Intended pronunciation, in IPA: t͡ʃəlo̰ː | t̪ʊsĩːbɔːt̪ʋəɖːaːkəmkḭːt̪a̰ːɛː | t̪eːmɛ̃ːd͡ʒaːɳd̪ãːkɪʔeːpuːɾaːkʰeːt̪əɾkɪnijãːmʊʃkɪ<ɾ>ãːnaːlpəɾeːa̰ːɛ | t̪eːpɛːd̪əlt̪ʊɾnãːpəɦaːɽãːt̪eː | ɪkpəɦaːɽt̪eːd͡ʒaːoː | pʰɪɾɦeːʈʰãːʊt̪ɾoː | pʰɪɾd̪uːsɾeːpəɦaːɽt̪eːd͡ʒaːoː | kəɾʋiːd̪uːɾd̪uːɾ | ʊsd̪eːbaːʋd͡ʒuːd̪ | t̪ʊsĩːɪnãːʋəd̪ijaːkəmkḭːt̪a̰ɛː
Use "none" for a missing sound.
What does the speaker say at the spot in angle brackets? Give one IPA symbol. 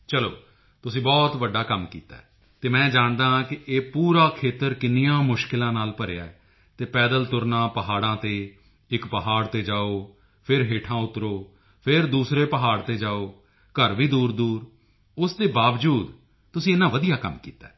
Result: l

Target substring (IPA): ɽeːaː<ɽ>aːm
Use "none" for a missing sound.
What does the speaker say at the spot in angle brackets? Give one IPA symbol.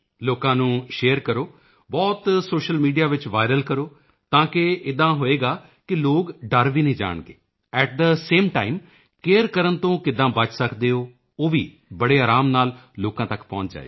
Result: ɾ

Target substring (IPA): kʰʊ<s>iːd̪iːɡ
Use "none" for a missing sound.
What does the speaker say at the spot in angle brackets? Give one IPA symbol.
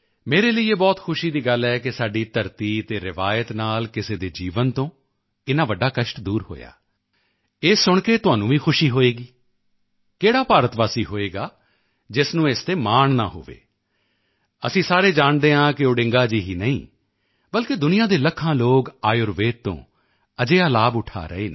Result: ʃ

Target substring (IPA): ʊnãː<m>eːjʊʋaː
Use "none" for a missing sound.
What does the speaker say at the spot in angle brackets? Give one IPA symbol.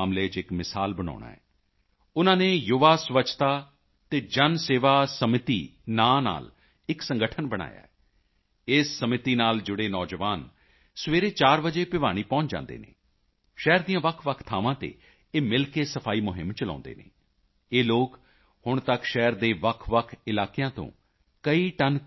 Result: n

